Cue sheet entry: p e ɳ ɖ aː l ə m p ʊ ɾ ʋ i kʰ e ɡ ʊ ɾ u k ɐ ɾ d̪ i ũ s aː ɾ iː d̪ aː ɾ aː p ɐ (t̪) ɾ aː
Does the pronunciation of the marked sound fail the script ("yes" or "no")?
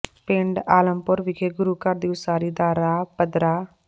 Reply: yes